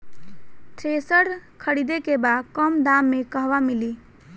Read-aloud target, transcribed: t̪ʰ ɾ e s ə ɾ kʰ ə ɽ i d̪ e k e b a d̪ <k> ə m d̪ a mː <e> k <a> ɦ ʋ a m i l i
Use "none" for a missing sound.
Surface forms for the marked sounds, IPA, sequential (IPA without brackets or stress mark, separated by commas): k, e, ə